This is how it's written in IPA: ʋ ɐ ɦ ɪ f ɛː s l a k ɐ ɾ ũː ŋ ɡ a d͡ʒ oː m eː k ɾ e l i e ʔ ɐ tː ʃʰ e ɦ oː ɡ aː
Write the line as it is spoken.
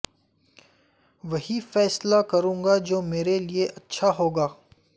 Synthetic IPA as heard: ʋ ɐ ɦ i f ɛː s l a k ɐ ɾ ũː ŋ ɡ a d͡ʒ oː m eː ɾ e l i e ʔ ɐ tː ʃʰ a ɦ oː ɡ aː